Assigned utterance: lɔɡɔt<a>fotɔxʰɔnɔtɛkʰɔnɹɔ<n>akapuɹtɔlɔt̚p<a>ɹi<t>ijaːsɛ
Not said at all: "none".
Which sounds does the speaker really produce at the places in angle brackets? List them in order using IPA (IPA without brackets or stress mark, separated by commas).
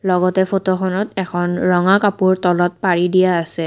ɛ, ŋ, a, d